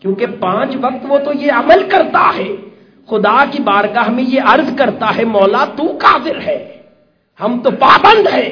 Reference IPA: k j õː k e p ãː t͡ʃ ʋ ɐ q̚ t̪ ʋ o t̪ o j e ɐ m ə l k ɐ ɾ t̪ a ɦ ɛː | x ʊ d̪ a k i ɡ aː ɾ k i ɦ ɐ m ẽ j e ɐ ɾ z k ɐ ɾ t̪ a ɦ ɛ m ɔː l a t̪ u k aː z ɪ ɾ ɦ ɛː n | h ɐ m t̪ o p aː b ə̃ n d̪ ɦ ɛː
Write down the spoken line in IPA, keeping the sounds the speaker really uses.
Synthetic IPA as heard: k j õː k e p ãː t͡ʃ ʋ ɐ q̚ t̪ ʋ o t̪ o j e ɐ m ə l k ɐ ɾ t̪ a ɦ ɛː | x ʊ d̪ a k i b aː ɾ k a ɦ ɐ m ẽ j e ɐ ɾ z k ɐ ɾ t̪ a ɦ ɛ m ɔː l a t̪ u k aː z ɪ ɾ ɦ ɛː | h ɐ m t̪ o p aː b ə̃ n d̪ ɦ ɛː